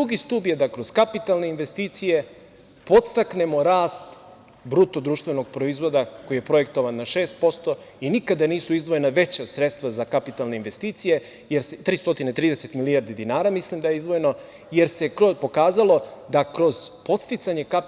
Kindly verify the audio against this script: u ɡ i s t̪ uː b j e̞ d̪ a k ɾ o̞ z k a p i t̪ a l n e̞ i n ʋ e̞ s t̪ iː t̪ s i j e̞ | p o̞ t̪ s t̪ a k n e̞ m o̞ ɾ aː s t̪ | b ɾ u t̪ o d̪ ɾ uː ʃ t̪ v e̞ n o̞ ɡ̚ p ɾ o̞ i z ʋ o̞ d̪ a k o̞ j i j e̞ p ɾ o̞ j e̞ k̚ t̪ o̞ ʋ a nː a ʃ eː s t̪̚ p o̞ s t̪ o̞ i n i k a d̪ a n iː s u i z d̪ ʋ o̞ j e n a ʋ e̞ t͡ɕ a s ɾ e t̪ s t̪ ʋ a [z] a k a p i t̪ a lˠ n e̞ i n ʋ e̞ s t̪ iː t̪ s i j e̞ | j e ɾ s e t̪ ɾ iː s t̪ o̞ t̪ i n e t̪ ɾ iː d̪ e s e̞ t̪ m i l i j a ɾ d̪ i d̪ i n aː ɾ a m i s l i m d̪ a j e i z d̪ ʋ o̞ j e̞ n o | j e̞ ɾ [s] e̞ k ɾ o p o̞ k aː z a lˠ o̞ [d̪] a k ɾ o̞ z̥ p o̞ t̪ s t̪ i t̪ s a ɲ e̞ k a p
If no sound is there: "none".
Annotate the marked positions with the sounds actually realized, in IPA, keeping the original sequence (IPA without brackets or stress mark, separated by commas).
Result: z, s, d̪